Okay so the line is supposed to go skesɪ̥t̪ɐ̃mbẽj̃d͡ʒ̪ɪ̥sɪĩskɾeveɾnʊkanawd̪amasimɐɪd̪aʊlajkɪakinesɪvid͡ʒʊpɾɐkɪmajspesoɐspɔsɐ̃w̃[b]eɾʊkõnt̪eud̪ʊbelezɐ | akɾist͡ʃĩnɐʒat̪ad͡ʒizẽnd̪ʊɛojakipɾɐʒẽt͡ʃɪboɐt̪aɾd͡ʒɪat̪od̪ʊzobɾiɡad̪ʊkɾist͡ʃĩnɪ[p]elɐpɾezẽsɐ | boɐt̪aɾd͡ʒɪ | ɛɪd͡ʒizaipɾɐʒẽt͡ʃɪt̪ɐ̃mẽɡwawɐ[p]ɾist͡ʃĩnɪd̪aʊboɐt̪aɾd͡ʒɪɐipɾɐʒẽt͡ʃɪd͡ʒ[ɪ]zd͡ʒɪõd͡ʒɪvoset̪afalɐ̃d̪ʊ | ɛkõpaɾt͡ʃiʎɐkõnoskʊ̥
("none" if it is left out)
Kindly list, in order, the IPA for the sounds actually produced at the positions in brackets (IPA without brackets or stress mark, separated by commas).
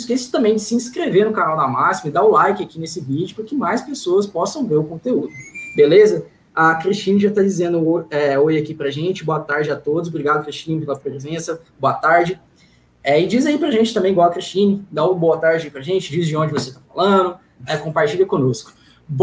v, p, k, i